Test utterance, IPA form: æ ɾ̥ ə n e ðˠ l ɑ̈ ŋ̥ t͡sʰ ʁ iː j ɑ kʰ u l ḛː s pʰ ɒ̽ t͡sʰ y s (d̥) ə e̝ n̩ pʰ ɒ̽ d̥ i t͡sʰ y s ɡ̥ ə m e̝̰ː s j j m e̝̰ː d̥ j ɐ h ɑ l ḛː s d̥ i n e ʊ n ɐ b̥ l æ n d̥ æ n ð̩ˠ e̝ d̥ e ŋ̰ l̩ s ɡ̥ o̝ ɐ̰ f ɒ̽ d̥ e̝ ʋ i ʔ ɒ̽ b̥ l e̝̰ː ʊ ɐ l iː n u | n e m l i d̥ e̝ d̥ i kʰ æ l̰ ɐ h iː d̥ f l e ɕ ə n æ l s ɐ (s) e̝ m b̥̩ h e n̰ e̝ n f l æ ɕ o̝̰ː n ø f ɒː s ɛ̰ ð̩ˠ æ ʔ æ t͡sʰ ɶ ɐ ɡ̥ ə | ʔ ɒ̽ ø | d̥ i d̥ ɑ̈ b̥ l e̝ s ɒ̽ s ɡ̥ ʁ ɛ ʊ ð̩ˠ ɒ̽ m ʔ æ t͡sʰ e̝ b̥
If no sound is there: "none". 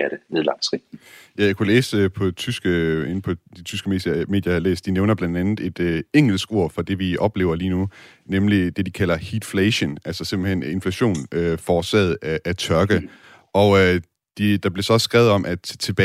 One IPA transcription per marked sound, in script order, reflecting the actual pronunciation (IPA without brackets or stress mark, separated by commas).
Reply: ɡ̥, s